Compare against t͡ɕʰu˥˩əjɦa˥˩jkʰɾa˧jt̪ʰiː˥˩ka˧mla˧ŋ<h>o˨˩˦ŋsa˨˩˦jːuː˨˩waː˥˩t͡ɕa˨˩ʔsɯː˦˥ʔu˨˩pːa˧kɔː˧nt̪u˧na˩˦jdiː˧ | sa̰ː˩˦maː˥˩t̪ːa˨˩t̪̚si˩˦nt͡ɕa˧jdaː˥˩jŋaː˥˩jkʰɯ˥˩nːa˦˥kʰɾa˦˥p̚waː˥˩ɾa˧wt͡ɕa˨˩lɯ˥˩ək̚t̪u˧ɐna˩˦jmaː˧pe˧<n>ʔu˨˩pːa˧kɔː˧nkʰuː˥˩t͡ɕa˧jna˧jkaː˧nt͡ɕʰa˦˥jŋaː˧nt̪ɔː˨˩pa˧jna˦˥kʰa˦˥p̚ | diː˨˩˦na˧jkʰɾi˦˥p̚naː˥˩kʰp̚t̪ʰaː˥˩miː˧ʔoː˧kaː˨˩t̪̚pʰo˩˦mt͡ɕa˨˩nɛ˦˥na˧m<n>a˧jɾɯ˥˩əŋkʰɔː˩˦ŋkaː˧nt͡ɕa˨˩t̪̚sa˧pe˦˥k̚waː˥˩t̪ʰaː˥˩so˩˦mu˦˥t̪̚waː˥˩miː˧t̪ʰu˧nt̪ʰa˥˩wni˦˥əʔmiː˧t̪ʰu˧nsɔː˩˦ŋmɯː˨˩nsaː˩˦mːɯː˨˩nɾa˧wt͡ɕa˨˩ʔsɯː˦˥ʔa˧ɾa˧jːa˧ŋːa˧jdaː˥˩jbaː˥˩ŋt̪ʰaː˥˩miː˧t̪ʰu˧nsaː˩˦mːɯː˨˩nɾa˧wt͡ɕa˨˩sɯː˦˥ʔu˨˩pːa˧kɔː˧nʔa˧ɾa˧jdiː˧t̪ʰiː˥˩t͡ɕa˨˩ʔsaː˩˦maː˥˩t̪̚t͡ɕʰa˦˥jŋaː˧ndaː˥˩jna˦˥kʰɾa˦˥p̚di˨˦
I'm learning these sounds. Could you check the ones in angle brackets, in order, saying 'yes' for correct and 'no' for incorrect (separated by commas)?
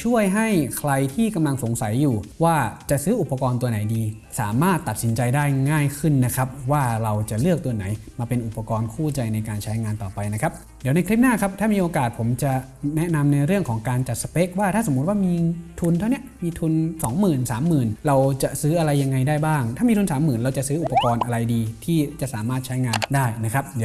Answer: no, yes, yes